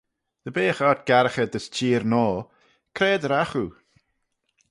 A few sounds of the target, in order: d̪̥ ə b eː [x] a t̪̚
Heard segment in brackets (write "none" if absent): x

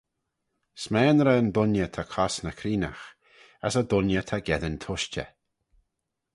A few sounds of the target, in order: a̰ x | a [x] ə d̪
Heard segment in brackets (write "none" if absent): s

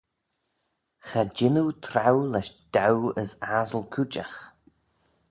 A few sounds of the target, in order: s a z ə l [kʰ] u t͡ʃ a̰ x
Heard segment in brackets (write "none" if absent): kʰ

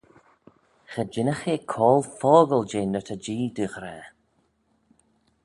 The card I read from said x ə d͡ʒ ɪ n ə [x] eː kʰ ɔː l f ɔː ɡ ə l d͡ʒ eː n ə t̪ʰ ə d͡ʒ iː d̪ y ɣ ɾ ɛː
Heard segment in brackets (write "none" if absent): x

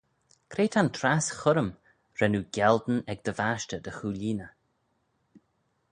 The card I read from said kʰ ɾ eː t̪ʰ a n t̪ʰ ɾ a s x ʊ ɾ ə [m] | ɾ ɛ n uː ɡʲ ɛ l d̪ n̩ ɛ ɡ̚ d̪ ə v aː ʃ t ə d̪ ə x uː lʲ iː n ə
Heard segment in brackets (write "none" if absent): m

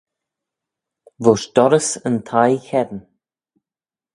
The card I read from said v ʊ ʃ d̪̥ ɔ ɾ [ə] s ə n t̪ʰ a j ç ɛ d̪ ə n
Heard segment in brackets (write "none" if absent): ə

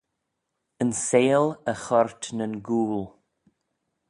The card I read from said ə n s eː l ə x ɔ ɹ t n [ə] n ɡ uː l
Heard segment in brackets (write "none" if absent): ə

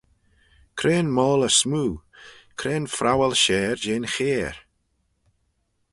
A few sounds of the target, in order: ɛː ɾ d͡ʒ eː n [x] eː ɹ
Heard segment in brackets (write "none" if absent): x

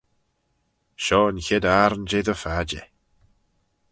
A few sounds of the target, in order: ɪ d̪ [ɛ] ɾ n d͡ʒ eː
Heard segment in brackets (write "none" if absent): a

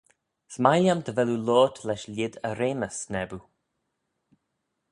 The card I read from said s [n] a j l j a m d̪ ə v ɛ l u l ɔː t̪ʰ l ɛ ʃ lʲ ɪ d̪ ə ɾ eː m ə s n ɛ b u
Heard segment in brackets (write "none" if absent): m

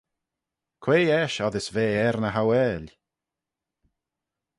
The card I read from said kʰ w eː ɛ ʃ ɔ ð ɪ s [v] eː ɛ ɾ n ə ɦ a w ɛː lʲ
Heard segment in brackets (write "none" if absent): v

